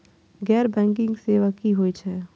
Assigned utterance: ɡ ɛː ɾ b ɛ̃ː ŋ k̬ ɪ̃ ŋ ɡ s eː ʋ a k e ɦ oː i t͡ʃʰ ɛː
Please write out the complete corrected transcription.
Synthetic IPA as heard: ɡ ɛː ɾ b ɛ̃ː ŋ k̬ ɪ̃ ŋ ɡ s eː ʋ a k i ɦ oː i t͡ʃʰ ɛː